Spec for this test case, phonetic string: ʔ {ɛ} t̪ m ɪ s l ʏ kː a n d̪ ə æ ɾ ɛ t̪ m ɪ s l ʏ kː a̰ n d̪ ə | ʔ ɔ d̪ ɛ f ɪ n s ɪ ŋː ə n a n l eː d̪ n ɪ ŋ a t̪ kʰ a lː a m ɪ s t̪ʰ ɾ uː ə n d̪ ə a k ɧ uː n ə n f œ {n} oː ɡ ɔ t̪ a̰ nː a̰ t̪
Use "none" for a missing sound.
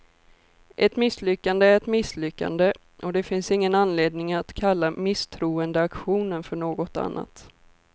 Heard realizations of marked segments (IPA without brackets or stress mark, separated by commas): ɛ, ɳ